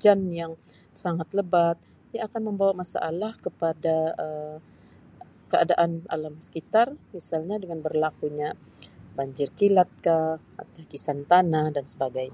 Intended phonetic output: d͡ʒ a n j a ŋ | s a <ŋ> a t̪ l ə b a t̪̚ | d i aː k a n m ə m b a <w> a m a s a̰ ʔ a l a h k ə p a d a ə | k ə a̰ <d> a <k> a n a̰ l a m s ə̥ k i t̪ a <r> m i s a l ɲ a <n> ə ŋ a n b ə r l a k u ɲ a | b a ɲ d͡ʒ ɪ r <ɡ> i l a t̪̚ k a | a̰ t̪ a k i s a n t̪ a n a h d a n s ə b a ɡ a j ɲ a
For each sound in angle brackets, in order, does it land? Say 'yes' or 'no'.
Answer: yes, yes, yes, no, yes, no, no

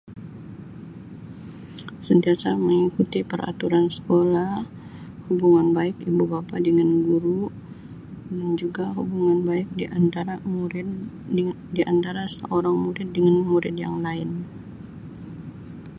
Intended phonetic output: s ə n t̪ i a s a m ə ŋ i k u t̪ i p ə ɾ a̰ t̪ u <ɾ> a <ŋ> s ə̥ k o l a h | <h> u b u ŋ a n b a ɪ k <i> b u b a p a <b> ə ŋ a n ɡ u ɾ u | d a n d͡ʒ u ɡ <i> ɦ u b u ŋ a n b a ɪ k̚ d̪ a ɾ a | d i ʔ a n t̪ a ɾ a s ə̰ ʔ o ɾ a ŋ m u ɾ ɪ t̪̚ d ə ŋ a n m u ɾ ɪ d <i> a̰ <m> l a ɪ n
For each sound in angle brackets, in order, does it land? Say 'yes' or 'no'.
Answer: yes, no, yes, yes, no, no, no, no

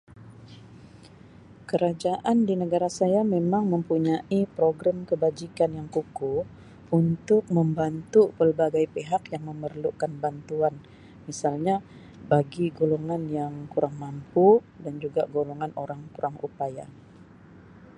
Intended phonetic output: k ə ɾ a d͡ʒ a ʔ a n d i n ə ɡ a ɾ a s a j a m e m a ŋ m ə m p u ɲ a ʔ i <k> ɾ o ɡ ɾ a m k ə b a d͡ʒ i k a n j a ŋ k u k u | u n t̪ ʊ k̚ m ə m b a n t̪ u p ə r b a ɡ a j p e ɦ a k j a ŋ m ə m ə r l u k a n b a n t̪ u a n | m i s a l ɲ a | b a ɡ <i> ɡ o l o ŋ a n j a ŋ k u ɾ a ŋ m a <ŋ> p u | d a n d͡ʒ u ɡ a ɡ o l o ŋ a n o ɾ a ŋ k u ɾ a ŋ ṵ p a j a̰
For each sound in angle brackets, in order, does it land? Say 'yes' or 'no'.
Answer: no, yes, no

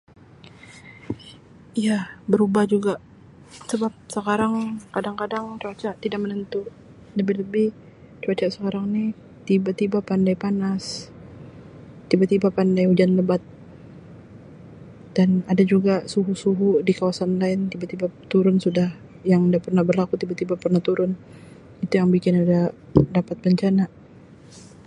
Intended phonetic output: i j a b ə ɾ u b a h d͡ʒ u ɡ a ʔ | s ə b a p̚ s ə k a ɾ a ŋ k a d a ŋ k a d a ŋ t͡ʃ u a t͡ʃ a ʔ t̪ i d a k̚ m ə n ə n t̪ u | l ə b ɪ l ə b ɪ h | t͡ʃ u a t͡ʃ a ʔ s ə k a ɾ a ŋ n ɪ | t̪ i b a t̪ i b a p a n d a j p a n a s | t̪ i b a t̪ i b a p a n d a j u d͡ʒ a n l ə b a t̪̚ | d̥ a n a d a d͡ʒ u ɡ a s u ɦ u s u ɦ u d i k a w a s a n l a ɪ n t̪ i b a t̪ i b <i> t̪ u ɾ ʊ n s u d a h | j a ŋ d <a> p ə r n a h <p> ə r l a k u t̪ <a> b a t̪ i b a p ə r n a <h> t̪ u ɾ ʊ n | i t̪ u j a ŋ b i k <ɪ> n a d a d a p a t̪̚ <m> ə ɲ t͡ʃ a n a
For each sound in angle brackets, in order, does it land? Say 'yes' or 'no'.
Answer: no, yes, no, no, yes, yes, no

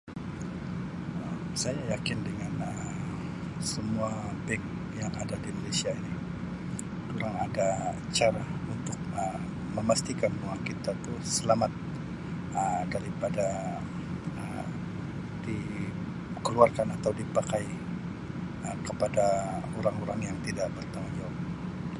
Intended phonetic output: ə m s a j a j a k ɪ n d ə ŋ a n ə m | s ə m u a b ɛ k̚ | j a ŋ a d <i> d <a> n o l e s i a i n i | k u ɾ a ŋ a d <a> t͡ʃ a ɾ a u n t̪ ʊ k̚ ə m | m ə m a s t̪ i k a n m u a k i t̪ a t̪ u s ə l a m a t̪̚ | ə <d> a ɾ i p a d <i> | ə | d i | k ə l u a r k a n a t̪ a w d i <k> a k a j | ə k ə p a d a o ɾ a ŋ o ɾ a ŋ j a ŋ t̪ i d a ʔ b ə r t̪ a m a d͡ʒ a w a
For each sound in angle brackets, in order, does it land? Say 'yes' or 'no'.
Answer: no, no, yes, yes, no, no

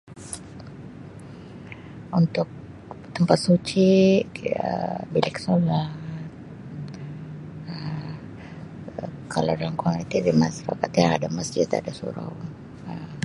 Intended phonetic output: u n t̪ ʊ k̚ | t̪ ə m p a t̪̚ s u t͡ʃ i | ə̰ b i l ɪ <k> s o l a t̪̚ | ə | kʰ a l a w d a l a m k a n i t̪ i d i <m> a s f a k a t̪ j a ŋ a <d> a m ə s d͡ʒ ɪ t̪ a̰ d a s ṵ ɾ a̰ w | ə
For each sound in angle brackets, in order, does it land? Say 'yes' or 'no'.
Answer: yes, yes, yes

